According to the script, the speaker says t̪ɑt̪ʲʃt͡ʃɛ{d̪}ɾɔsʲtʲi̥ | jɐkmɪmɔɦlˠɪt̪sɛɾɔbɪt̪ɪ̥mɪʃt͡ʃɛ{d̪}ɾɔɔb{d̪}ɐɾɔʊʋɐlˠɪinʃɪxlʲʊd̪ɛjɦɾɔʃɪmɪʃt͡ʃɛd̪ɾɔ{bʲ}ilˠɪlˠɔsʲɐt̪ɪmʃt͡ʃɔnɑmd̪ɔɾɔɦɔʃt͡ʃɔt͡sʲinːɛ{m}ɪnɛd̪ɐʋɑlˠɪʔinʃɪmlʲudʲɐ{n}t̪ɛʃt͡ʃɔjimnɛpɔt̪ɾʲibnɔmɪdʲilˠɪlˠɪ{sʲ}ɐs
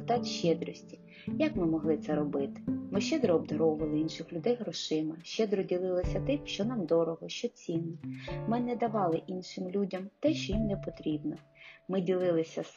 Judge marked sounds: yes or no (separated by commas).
yes, yes, yes, no, yes, no, yes